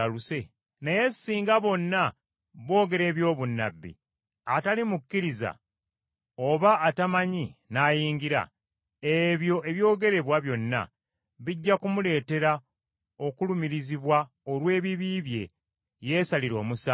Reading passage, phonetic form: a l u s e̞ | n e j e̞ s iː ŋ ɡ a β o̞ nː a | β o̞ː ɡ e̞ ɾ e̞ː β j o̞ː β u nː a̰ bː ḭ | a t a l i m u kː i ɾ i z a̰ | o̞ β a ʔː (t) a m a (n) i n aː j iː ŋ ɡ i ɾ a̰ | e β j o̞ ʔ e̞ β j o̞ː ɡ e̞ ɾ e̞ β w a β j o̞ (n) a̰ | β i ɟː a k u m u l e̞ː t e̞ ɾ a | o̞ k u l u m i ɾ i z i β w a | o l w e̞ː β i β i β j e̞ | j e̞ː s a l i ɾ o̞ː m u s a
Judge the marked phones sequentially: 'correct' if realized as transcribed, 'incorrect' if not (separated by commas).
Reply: correct, incorrect, incorrect